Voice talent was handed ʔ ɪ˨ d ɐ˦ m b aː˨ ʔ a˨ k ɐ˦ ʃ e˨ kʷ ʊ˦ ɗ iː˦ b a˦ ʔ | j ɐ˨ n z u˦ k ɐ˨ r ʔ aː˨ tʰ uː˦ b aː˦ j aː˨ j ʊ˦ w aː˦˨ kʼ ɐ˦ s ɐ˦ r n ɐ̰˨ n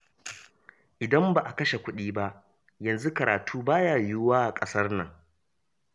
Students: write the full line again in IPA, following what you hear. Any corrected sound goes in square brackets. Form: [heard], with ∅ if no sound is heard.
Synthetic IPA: ʔ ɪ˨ d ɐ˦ m b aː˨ ʔ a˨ k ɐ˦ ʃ e˨ kʷ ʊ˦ ɗ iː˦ b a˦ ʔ | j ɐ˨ n z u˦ k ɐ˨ [ɾ] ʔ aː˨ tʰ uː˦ b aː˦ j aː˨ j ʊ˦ w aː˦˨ kʼ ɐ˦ s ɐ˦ r n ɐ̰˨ [ŋ]